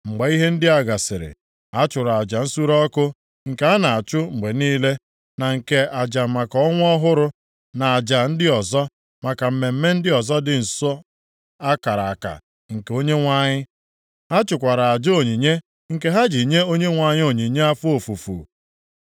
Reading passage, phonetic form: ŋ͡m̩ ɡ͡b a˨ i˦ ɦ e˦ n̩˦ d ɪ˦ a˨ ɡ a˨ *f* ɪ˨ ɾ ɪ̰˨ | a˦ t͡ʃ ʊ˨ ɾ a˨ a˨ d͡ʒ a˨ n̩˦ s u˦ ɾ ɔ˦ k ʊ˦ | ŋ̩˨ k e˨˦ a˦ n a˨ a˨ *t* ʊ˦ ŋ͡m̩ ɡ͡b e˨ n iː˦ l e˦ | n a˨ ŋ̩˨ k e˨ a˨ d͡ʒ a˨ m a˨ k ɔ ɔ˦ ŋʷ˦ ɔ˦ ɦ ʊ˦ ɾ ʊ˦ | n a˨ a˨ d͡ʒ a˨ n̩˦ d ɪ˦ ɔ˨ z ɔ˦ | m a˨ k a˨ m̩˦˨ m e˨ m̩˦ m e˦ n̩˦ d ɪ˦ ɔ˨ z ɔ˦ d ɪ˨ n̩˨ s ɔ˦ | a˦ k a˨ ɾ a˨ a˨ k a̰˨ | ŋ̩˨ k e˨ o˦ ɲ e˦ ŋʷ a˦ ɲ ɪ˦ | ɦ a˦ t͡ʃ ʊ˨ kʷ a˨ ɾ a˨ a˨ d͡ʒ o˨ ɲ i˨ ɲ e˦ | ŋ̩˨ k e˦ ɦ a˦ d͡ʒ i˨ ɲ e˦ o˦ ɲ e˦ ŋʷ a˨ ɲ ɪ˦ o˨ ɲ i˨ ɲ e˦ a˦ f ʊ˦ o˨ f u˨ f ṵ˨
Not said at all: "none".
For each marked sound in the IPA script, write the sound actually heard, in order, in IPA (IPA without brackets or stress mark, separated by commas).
s, t͡ʃ